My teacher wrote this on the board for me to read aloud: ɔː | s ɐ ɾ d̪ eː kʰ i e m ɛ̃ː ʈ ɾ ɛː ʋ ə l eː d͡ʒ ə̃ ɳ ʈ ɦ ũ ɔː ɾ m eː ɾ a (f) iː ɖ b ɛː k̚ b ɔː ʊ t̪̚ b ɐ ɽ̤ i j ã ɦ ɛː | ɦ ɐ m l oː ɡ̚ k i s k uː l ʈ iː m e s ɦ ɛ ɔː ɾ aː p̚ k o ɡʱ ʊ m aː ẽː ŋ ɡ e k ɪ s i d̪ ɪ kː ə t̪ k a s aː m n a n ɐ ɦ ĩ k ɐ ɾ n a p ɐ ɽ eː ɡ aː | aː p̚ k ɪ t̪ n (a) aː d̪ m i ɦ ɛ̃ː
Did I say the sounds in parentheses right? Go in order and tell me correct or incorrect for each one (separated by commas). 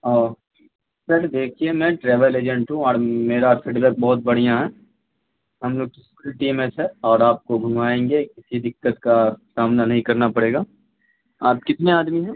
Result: correct, incorrect